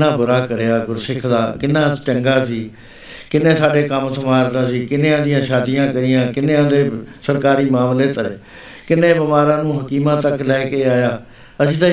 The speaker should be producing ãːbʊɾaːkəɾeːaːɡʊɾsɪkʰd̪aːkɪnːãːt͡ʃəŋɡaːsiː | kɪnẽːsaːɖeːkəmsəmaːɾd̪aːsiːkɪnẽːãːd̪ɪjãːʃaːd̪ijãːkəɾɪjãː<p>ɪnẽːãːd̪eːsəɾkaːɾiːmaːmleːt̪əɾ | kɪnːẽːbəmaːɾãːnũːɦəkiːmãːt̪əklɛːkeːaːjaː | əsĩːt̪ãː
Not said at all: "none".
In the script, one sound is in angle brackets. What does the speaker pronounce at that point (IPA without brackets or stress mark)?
k